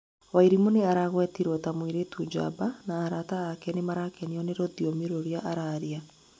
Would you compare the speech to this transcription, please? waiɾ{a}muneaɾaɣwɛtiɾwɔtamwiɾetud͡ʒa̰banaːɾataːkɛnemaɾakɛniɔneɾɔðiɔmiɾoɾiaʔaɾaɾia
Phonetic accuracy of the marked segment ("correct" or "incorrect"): incorrect